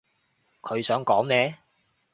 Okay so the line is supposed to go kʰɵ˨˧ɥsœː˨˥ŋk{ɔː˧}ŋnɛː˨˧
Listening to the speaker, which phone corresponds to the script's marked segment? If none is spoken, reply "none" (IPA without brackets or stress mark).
ɔː˨˥